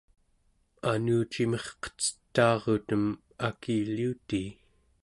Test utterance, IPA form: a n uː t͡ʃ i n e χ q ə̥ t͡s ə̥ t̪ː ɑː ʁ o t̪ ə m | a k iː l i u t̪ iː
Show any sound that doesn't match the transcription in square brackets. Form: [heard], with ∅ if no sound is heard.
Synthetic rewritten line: a n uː t͡ʃ i [m] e χ q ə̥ t͡s ə̥ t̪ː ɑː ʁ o t̪ ə m | a k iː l i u t̪ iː